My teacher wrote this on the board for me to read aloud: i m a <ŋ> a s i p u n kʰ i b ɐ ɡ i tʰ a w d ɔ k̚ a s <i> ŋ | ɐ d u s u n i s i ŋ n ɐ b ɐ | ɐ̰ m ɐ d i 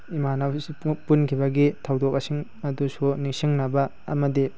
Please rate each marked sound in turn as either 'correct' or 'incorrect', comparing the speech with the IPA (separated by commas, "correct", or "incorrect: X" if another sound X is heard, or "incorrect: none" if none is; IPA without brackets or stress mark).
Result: incorrect: n, correct